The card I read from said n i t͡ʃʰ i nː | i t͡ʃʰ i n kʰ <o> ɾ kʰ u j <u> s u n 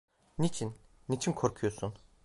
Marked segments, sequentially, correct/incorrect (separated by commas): correct, incorrect